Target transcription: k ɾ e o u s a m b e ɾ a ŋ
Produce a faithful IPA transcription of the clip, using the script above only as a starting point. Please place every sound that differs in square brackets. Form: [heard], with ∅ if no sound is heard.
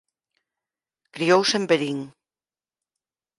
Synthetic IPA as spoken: k ɾ [i] o [w] s [e] m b e ɾ [i] ŋ